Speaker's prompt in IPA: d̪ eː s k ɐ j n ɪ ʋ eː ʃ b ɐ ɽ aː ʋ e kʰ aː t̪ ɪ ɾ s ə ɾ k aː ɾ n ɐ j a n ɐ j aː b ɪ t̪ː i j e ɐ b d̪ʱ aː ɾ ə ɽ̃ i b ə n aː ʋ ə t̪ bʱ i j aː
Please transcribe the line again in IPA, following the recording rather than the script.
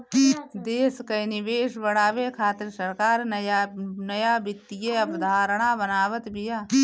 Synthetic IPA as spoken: d̪ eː s k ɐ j n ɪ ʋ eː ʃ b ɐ ɽ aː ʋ e kʰ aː t̪ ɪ ɾ s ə ɾ k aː ɾ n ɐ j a n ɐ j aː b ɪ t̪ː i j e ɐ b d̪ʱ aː ɾ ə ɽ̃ a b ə n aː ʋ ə t̪ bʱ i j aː